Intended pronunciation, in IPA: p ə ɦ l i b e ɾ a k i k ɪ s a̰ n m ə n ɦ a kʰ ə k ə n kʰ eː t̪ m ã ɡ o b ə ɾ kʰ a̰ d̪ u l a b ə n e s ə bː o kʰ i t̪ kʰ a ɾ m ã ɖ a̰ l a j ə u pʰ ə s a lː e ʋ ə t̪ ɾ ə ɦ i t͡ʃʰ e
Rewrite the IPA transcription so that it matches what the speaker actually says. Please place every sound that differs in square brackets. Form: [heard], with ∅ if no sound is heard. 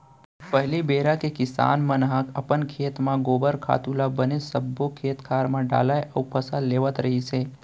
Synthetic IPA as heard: p ə ɦ l i b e ɾ a k [e] k ɪ s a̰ n m ə n ɦ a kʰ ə [p] ə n kʰ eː t̪ m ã ɡ o b ə ɾ kʰ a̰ [t̪] u l a b ə n e s ə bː o kʰ [e] t̪ kʰ a ɾ m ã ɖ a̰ l a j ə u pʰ ə s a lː e ʋ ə t̪ ɾ ə ɦ i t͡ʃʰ e